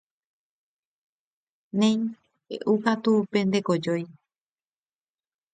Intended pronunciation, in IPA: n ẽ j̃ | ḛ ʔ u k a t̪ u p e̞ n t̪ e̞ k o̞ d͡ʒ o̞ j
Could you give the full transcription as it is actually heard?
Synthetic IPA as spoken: n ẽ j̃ | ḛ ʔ u k a t̪ u p e̞ n d̪ e̞ k o̞ d͡ʒ o̞ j

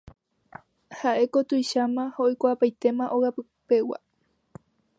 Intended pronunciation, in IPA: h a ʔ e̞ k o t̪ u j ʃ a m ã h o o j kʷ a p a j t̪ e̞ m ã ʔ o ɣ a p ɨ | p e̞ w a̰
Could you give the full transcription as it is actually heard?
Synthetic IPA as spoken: h a ʔ e̞ k o t̪ u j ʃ a m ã h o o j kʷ a p a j t̪ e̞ m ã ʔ o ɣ a p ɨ | p e̞ w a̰

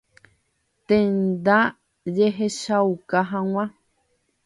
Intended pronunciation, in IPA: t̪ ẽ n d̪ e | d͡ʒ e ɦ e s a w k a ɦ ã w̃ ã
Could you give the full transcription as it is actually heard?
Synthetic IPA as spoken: t̪ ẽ n d̪ a | d͡ʒ e ɦ e ʃ a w k a ɦ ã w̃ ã

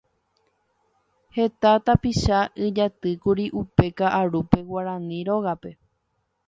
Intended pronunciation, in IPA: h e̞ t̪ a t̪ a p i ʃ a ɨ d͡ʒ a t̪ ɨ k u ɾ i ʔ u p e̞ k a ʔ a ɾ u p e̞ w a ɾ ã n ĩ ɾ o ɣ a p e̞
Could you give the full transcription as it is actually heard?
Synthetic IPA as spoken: h e̞ t̪ a t̪ a p i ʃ a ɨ d͡ʒ a t̪ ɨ k u ɾ i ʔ u p e̞ k a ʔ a ɾ u p e̞ w a ɾ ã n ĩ ɾ o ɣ a p e̞

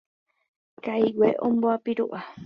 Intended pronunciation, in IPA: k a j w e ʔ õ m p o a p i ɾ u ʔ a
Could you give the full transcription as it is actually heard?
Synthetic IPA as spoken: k a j w e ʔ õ m b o a p i ɾ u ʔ a

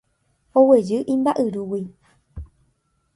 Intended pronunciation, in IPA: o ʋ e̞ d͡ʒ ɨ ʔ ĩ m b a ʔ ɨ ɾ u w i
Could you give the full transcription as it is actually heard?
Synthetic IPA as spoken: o w e̞ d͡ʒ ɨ ʔ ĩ m b a ʔ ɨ ɾ u w i

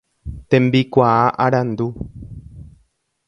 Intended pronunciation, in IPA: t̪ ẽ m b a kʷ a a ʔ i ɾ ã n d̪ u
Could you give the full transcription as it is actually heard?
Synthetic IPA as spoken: t̪ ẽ m b i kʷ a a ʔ a ɾ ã n d̪ u

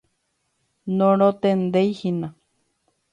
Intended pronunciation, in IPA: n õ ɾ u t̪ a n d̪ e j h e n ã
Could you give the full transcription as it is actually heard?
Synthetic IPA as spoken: n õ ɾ o t̪ e n d̪ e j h i n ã

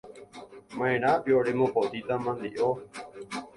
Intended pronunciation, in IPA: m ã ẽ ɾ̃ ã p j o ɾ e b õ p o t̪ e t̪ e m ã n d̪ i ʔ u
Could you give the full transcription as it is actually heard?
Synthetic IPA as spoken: m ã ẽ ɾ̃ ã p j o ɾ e m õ p o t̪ i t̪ a m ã n d̪ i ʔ o

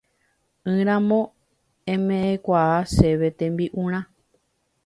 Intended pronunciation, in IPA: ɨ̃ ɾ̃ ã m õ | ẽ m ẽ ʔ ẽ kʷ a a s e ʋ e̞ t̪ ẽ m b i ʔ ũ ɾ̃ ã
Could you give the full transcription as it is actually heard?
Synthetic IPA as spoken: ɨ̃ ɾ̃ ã m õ | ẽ m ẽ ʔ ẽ kʷ a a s e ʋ e̞ t̪ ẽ m b i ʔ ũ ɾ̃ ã

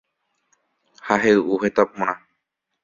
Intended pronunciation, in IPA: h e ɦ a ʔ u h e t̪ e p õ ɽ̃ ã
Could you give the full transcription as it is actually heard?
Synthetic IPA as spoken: h a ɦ e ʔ u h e t̪ a p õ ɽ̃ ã

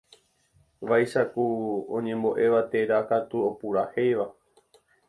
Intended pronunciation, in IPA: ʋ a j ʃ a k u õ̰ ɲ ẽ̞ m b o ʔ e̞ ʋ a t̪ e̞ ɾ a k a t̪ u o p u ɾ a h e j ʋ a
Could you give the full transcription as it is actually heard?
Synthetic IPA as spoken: ʋ a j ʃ a k u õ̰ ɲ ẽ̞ m b o ʔ e̞ ʋ a t̪ e̞ ɾ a k a t̪ u o p u ɾ a h e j ʋ a

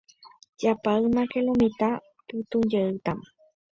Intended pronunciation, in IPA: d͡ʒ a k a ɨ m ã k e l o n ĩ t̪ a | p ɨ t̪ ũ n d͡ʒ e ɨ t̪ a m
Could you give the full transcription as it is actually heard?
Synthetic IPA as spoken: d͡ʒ a p a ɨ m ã k e l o m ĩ t̪ a | p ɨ t̪ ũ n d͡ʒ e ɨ t̪ a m

